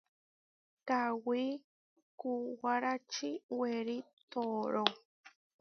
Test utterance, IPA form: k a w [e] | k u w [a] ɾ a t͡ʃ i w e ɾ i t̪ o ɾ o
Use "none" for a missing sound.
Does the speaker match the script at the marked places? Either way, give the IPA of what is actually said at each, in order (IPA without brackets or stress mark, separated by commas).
i, a